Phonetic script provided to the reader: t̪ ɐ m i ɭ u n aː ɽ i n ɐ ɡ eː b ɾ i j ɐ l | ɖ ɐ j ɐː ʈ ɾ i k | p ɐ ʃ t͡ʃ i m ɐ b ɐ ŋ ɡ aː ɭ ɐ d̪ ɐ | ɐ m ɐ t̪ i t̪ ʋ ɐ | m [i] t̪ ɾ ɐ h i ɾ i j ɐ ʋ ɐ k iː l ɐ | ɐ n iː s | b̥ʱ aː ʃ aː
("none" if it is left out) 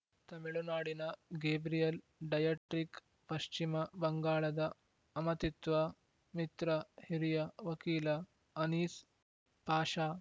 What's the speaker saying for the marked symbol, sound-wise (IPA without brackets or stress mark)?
i